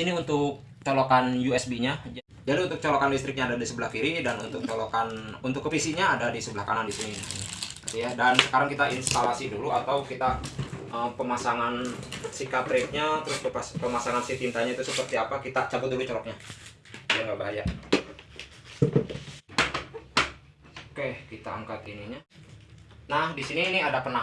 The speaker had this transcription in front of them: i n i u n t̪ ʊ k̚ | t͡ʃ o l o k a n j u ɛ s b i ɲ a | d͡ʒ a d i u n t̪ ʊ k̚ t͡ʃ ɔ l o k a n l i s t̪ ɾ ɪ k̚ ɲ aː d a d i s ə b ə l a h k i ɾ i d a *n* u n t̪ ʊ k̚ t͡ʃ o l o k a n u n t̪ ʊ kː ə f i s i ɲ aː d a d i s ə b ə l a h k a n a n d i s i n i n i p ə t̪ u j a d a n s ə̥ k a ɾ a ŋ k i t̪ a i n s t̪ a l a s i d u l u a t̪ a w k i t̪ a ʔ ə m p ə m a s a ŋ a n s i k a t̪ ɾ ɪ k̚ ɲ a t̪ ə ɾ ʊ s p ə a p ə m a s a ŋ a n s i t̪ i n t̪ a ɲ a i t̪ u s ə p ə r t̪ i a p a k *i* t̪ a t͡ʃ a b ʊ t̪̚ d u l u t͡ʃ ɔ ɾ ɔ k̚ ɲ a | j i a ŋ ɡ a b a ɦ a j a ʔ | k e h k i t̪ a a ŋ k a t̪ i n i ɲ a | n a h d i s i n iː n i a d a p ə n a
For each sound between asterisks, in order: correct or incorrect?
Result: correct, correct

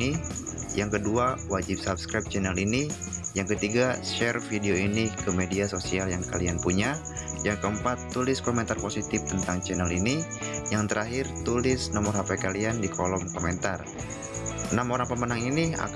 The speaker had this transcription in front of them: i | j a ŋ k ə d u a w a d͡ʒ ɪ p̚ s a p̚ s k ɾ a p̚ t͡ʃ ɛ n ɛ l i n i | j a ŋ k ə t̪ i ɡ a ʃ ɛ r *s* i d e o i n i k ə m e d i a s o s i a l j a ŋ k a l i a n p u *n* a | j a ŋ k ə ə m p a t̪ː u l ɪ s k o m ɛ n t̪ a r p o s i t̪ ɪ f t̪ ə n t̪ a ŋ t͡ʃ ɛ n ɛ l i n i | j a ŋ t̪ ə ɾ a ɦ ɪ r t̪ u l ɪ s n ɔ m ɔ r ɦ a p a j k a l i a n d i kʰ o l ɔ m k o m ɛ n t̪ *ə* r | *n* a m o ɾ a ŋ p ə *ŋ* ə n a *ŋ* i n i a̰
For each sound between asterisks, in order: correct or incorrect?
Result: incorrect, incorrect, incorrect, correct, incorrect, correct

